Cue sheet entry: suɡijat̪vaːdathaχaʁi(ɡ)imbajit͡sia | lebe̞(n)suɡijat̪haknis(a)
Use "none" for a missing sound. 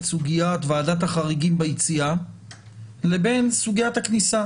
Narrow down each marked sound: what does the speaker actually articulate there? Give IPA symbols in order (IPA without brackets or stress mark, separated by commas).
ɡ, n, a